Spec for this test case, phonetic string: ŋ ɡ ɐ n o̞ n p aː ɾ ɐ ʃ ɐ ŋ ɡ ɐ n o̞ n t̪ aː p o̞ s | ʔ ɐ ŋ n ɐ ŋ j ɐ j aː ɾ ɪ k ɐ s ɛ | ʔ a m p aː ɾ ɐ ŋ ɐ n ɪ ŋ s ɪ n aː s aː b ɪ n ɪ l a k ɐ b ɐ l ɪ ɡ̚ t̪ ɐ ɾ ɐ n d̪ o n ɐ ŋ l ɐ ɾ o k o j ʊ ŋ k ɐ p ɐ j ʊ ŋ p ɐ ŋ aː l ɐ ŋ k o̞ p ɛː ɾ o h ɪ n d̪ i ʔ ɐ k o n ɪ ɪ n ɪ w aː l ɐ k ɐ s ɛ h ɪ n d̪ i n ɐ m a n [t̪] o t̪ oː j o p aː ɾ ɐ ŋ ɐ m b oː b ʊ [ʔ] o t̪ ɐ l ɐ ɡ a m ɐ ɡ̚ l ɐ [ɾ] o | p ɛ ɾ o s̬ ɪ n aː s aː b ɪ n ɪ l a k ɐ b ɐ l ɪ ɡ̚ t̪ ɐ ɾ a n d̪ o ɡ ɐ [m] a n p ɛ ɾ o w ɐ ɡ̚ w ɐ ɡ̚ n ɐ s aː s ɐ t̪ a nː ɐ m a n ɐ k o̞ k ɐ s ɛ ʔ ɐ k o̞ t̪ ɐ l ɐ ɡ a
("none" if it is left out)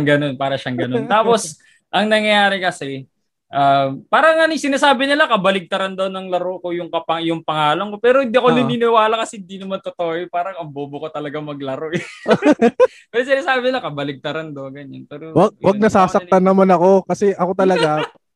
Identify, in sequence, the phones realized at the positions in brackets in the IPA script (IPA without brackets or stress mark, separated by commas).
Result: t̪, k, ɾ, ɲ